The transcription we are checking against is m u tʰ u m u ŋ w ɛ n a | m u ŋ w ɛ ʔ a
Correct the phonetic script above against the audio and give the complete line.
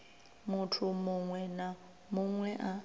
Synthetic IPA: m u tʰ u m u ŋ w ɛ n a | m u ŋ w ɛ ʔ a